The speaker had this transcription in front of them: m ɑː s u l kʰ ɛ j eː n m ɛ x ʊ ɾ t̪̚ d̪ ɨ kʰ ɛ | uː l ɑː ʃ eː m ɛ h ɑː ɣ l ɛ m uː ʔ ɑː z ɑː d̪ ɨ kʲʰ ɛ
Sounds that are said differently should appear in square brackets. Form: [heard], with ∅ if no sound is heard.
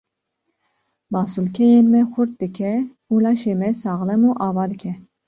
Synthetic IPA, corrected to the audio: m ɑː s u l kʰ ɛ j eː n m ɛ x ʊ ɾ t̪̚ d̪ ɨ kʰ ɛ | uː l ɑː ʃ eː m ɛ [s] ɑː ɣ l ɛ m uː ʔ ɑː [v] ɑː d̪ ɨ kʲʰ ɛ